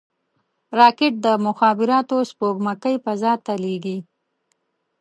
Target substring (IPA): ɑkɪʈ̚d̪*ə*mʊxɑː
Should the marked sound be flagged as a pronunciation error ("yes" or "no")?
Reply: no